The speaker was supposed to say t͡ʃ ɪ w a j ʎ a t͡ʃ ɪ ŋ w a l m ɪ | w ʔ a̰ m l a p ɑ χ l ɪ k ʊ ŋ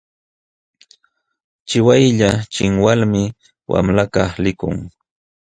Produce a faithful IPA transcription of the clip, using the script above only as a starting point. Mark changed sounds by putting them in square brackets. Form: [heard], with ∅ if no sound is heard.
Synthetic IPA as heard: t͡ʃ ɪ w a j ʎ a t͡ʃ ɪ ŋ w a l m ɪ | w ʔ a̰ m l a [k] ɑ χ l ɪ k ʊ ŋ